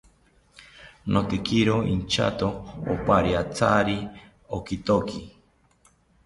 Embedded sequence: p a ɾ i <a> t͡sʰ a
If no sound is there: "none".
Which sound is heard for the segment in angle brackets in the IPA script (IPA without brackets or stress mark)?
a